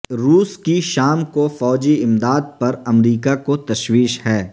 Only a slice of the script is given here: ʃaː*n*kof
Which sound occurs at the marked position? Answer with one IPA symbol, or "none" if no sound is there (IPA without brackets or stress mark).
m